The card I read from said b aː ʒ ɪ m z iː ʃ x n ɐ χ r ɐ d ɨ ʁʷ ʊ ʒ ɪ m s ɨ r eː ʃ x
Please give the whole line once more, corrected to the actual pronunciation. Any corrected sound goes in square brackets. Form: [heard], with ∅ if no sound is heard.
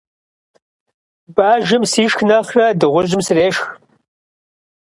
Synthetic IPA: b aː ʒ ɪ m [s] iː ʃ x n ɐ χ r ɐ d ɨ ʁʷ ʊ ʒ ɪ m s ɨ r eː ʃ x